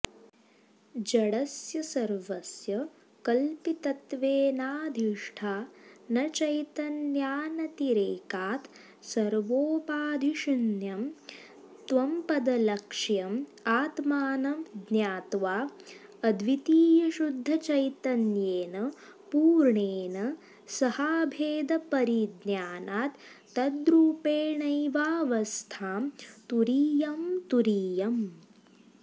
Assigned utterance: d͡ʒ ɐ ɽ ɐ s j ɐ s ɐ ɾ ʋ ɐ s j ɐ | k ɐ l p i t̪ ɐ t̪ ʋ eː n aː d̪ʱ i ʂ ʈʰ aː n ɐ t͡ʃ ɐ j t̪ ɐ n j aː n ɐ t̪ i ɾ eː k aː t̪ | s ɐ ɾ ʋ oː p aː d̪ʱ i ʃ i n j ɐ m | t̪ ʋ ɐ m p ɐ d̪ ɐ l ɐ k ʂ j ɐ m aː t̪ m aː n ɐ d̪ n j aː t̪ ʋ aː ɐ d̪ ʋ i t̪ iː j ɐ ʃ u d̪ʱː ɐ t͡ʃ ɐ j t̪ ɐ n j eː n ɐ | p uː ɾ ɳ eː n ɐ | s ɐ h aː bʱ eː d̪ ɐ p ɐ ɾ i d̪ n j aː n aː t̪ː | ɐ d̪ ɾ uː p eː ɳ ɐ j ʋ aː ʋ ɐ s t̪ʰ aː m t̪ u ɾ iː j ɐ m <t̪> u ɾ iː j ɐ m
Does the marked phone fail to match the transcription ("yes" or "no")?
no